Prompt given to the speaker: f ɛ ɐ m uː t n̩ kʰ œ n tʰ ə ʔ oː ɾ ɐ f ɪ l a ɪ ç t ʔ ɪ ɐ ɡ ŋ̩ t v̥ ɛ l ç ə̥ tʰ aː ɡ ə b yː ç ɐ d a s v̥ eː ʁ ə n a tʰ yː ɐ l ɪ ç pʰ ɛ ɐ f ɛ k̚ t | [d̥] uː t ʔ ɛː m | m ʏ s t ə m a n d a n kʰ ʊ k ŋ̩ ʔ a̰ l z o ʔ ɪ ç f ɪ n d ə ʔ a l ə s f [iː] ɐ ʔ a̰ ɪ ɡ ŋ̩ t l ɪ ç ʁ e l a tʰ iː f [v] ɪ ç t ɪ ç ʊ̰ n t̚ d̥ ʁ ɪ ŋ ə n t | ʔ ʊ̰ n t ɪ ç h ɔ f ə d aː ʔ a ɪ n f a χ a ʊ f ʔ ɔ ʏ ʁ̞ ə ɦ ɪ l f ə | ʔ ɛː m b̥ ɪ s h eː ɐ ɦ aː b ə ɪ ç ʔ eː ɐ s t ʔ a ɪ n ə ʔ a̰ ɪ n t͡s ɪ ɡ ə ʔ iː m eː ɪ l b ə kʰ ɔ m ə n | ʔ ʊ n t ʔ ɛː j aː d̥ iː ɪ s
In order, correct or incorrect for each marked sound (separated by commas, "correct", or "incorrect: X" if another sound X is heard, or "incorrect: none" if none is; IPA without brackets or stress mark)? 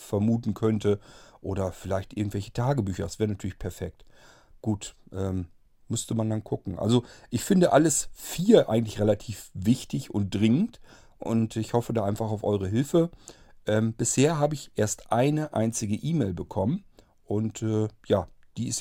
incorrect: ɡ̥, correct, correct